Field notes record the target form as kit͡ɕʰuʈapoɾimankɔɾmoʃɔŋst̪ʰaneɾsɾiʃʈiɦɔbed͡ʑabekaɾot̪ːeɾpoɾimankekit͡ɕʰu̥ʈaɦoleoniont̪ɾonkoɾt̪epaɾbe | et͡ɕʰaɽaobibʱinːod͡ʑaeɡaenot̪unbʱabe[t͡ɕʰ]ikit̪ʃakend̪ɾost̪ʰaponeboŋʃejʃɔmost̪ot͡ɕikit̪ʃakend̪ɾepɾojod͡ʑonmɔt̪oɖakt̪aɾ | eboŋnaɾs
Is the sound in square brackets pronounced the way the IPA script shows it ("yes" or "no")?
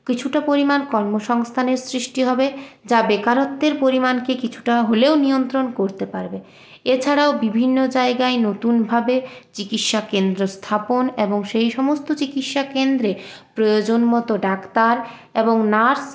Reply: no